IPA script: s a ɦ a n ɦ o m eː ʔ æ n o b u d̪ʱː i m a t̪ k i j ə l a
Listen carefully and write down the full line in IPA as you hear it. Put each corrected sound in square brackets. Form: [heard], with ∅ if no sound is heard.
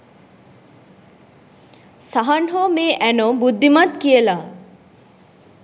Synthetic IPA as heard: s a ɦ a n ɦ o m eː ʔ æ n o b u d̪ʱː i m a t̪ k i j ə l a